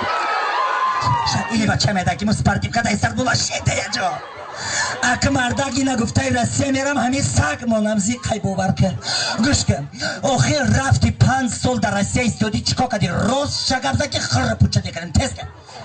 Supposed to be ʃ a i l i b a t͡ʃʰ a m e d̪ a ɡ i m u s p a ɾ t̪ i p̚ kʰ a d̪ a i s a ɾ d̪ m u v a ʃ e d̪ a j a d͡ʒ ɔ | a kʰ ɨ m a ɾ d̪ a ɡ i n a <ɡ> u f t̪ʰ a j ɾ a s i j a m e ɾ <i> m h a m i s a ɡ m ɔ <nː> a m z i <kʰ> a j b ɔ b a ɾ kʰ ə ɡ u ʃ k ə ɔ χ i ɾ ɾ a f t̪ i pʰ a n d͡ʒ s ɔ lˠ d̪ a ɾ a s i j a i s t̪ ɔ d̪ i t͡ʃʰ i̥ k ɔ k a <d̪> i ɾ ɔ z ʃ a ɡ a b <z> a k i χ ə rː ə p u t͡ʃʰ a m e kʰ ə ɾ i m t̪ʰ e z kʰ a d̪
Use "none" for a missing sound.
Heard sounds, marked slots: ɡ, a, n, qʰ, d̪, z

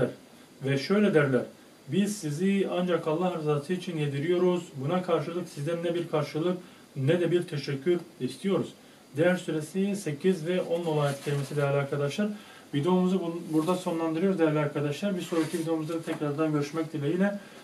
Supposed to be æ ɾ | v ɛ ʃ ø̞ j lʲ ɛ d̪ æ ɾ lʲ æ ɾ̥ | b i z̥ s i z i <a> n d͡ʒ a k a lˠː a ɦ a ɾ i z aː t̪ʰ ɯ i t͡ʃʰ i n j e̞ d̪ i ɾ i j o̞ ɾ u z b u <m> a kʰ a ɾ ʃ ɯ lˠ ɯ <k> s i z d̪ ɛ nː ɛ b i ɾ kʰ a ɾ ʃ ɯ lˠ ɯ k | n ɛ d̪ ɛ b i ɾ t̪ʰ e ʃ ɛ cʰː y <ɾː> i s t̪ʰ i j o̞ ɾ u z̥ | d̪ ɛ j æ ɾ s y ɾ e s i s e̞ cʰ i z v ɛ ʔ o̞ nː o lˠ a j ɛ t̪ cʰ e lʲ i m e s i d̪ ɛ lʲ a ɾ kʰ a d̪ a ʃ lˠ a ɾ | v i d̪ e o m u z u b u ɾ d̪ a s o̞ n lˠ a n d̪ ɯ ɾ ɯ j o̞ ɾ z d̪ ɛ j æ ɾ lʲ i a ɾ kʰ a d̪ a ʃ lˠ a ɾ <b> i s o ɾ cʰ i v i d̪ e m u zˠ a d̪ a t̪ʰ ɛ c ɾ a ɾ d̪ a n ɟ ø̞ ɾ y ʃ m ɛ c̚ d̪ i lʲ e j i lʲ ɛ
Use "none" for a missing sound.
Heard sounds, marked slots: a, n, k, ɾ, b

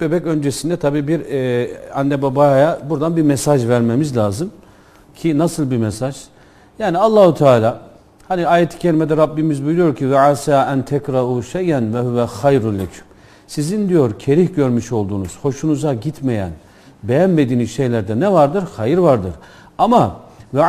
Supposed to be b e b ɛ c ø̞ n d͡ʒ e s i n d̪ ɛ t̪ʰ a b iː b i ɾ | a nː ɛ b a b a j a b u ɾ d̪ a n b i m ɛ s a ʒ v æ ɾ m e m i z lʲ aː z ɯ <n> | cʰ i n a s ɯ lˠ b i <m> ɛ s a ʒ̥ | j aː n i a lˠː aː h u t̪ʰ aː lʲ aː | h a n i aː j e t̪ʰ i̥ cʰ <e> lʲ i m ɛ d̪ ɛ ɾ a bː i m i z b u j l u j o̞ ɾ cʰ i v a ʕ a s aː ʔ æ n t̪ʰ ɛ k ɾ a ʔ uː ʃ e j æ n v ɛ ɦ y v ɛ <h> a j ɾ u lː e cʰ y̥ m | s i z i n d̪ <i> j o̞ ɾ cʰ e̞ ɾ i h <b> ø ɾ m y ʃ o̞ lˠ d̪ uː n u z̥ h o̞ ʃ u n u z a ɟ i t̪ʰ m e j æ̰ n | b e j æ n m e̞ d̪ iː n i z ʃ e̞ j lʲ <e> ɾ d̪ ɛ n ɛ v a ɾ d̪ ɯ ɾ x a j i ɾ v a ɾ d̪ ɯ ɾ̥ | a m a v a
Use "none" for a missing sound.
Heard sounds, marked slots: m, m, e, x, i, ɟ, æ

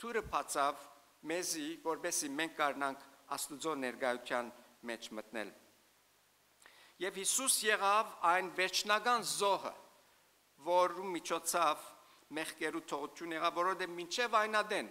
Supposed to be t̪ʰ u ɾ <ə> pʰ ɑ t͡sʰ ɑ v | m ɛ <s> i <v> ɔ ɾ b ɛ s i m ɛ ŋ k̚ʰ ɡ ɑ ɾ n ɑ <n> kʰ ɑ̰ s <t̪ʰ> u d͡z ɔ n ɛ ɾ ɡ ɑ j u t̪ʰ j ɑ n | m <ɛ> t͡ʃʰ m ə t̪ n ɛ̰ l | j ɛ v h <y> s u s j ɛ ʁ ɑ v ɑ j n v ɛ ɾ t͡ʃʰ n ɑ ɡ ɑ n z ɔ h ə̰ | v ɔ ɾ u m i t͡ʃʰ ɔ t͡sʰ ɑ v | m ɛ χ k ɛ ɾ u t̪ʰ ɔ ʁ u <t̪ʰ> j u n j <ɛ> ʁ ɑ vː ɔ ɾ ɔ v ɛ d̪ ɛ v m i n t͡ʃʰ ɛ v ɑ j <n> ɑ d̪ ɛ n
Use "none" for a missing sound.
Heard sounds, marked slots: ə, z, v, ŋ, t̪, ɛ, i, t̪ʰ, ɛ, n

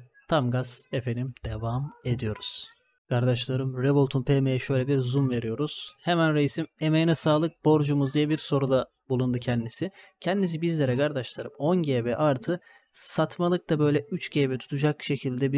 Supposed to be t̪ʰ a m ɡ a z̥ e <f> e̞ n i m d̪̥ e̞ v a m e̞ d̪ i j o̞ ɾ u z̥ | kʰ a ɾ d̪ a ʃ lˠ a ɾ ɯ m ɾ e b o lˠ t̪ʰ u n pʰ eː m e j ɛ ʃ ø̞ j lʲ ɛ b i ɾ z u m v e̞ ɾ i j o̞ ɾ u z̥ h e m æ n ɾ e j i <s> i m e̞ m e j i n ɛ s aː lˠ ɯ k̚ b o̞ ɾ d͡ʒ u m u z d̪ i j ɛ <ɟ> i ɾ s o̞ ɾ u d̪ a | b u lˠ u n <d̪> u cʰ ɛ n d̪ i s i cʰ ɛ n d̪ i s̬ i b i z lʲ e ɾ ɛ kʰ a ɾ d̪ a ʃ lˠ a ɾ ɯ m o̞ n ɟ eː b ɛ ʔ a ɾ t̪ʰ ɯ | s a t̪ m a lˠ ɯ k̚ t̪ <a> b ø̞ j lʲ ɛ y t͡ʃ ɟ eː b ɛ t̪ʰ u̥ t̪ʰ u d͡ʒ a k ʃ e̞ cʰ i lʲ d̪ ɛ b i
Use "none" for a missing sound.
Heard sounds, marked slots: f, s, b, d̪, a

